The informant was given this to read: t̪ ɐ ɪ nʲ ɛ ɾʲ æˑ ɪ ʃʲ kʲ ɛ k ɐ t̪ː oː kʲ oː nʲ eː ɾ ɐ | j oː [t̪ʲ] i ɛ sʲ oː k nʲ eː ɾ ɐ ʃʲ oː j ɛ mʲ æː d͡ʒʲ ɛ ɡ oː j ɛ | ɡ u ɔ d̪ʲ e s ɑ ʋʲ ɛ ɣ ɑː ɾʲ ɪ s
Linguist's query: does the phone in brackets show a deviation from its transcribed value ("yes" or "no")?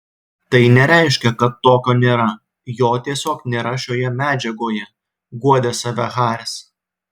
no